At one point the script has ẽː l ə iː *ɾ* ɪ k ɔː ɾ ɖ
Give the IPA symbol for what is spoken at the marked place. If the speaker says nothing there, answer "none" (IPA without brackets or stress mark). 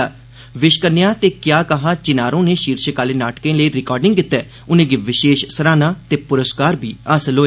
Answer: ɾ